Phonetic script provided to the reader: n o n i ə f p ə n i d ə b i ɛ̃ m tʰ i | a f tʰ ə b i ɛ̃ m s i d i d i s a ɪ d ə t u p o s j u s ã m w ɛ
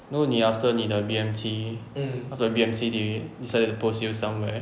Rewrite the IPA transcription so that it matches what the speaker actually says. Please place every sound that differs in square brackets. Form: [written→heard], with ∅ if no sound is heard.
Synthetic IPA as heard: n o n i [ə→a] f [p→t] ə n i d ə b i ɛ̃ m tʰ i | a f [tʰ→t] ə b i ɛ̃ m s i d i d i s a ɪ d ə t u p o s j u s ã m w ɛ